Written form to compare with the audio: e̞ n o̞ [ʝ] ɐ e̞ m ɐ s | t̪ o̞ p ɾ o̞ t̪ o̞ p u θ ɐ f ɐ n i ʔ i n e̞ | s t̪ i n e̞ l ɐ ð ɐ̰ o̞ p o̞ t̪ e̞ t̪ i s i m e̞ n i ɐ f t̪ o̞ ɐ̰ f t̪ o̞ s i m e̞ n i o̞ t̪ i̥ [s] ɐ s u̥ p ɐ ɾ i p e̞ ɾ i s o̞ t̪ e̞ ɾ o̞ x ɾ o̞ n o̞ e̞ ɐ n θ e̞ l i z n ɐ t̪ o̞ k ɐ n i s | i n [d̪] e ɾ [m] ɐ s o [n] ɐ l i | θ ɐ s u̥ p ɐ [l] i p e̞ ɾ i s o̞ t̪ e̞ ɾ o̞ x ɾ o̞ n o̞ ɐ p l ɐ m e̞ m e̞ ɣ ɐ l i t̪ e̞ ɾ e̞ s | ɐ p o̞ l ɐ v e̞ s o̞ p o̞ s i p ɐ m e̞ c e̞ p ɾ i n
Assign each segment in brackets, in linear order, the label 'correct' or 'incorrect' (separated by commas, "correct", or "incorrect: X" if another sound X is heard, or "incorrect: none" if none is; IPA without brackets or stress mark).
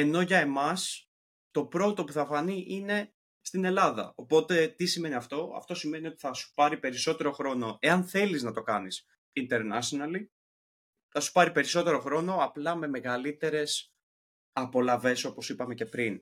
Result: correct, incorrect: θ, incorrect: t̪, incorrect: n, correct, incorrect: ɾ